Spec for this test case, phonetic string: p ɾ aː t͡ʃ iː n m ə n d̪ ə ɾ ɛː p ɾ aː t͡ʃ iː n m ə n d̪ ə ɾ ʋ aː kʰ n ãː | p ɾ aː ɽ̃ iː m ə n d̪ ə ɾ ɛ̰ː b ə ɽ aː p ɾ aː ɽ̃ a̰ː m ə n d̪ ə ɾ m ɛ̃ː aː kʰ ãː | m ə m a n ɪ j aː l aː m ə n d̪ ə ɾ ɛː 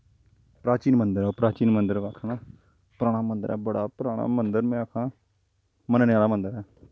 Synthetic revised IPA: p ɾ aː t͡ʃ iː n m ə n d̪ ə ɾ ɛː p ɾ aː t͡ʃ iː n m ə n d̪ ə ɾ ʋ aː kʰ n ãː | p ɾ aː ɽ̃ aː m ə n d̪ ə ɾ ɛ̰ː b ə ɽ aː p ɾ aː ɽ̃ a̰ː m ə n d̪ ə ɾ m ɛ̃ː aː kʰ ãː | m ə n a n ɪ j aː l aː m ə n d̪ ə ɾ ɛː